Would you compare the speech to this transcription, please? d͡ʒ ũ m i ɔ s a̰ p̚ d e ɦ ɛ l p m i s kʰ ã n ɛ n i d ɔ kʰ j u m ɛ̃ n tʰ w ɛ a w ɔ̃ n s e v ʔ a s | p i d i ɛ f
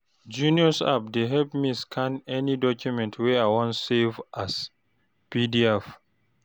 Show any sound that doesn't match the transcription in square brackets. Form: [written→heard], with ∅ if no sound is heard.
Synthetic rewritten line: d͡ʒ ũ [m→n] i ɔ s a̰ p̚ d e ɦ ɛ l p m i s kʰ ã n ɛ n i d ɔ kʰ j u m ɛ̃ n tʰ w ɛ a w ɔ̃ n s e v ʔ a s | p i d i ɛ f